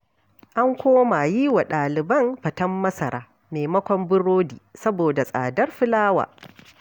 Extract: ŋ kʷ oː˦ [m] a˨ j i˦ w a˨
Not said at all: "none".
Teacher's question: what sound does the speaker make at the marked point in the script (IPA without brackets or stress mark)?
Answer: m